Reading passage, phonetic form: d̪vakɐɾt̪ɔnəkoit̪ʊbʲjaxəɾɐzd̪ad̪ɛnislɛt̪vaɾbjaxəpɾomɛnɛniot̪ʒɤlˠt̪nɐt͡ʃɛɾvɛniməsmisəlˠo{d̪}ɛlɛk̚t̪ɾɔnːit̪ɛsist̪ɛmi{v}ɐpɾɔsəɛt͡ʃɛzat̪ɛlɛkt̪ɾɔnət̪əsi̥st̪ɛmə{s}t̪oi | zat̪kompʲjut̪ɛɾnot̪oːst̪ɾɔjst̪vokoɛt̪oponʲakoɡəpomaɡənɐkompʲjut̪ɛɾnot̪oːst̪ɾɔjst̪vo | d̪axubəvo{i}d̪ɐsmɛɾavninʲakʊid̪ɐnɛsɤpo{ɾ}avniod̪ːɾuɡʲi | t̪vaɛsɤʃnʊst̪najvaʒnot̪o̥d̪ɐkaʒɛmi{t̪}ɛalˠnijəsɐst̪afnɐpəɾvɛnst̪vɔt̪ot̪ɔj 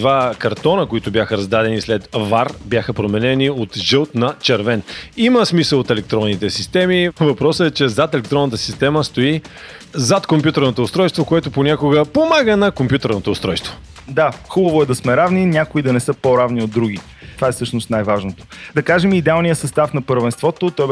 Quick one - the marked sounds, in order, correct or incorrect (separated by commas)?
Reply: incorrect, correct, correct, incorrect, correct, incorrect